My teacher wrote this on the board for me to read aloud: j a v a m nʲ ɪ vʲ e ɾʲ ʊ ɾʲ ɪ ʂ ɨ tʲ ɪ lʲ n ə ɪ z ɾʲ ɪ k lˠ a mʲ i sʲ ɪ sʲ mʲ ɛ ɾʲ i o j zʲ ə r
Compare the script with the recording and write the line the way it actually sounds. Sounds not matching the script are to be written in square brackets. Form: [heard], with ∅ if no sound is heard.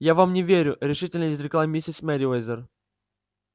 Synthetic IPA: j a v a m nʲ ɪ vʲ e ɾʲ ʊ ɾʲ ɪ ʂ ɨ tʲ ɪ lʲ n ə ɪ z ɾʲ ɪ k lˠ a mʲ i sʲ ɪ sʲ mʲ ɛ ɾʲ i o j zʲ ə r